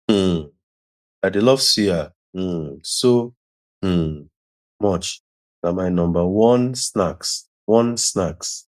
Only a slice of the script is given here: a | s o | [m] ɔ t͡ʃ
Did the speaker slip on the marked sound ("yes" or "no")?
no